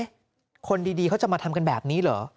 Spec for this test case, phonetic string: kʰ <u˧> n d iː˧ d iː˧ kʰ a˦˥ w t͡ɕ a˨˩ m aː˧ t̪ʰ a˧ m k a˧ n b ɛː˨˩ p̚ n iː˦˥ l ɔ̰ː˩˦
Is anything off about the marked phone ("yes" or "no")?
yes